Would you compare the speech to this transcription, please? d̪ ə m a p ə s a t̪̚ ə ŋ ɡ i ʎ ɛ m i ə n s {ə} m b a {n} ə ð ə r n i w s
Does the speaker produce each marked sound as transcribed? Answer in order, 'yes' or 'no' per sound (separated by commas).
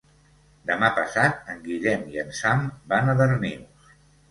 no, yes